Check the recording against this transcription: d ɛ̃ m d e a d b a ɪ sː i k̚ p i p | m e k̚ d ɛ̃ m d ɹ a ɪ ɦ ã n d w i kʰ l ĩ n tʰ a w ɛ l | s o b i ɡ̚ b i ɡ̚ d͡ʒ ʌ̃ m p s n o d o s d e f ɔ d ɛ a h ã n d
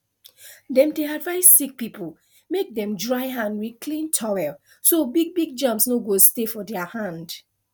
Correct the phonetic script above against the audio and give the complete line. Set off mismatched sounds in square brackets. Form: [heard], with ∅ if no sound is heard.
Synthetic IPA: d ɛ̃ m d e a d [v] a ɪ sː i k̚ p i p | m e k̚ d ɛ̃ m d ɹ a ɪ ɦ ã n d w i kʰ l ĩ n tʰ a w ɛ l | s o b i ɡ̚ b i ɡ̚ d͡ʒ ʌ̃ m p s n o [ɡ] o s [t] e f ɔ d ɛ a h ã n d